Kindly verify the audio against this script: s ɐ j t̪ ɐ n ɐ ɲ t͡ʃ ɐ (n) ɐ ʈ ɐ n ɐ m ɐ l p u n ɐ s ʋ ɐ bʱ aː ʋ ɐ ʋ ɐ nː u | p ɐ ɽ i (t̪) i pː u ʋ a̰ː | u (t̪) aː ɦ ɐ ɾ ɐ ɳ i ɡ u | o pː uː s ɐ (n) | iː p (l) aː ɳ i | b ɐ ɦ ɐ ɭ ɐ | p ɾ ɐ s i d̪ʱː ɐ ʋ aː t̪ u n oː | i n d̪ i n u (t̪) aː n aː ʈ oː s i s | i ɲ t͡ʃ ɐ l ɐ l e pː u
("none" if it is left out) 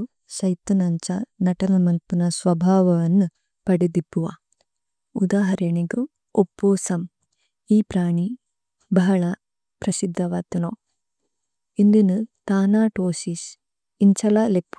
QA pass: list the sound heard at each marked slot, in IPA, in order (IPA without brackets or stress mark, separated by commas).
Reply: n, d̪, d̪, m, ɾ, t̪